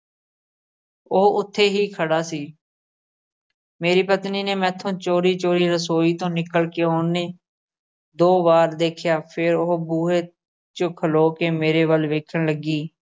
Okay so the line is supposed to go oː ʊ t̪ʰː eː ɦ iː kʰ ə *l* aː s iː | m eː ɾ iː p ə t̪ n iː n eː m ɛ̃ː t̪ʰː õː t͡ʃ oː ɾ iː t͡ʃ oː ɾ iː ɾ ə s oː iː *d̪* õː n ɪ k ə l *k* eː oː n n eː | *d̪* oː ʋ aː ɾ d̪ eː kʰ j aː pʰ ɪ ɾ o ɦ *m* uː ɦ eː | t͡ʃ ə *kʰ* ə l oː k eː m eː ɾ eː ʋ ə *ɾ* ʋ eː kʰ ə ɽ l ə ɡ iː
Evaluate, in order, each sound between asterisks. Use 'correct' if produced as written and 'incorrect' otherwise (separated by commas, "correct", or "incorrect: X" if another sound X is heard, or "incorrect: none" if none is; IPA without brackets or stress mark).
incorrect: ɽ, incorrect: t̪, correct, correct, incorrect: b, correct, incorrect: l